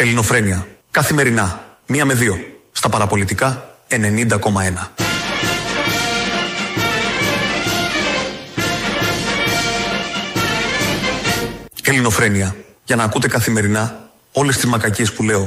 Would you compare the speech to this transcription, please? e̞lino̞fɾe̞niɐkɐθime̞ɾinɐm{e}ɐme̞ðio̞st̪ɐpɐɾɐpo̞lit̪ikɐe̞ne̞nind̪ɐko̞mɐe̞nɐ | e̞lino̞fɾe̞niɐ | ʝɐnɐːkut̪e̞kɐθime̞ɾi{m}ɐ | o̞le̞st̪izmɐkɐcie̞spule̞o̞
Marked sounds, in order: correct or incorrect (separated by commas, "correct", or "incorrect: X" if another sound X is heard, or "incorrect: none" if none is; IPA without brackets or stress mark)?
incorrect: i, incorrect: n